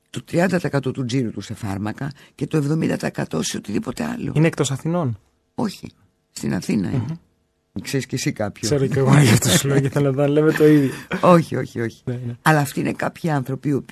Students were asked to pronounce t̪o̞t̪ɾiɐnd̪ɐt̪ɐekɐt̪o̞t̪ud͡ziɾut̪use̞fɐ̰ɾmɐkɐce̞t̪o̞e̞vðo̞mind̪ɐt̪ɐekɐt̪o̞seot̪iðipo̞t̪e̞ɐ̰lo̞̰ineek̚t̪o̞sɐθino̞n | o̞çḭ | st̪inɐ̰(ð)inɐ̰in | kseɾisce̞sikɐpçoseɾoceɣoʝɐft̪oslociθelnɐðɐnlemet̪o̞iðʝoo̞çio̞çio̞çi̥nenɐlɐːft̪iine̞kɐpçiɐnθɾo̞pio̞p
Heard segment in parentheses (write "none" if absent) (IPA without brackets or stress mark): θ